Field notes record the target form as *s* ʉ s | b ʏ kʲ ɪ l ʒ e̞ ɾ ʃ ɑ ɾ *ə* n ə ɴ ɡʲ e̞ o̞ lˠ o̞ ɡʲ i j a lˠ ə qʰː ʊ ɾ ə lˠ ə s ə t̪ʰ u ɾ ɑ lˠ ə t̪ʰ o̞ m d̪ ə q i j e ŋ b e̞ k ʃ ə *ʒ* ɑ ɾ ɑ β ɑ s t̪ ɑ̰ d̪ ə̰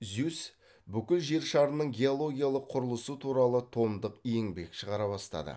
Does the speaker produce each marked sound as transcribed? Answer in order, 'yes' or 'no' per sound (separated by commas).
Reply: no, yes, no